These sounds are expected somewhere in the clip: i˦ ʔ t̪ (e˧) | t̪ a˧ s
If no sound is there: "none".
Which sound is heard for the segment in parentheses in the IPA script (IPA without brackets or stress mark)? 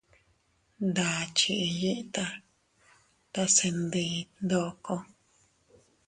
a˧